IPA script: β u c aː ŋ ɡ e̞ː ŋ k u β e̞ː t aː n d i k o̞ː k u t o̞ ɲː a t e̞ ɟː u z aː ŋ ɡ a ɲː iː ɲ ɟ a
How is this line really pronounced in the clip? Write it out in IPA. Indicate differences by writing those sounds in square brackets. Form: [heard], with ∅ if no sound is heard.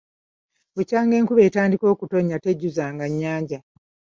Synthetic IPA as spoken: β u c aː ŋ ɡ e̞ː ŋ k u β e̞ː t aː n d i k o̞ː k u t o̞ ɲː a t e̞ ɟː u z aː ŋ ɡ a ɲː [aː] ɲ ɟ a